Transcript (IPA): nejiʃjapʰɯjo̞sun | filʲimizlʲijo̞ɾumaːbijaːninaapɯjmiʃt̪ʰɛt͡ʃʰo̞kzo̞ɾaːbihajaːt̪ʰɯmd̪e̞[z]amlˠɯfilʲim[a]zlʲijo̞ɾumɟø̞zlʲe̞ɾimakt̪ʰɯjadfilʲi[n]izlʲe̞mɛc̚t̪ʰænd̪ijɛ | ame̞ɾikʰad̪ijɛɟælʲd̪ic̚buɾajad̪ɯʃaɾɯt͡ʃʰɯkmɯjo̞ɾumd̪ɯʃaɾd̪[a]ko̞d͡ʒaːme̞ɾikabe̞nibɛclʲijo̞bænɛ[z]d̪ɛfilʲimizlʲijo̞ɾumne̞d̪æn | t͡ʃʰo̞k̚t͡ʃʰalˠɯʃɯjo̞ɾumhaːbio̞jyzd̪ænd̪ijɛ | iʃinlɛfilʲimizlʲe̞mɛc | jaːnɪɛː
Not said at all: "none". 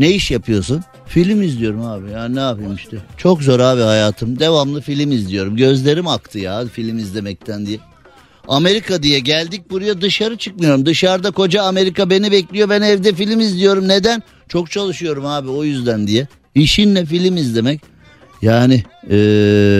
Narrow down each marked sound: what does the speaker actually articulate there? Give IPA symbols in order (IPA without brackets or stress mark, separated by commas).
v, i, m, a, v